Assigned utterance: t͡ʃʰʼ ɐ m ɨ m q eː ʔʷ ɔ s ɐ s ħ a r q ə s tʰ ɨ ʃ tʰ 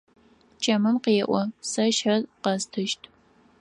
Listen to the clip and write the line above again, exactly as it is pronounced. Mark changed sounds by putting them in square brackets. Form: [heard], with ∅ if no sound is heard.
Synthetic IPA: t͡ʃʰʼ ɐ m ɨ m q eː ʔʷ ɔ s ɐ [ʃ] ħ [ɐ] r q [ɐ] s tʰ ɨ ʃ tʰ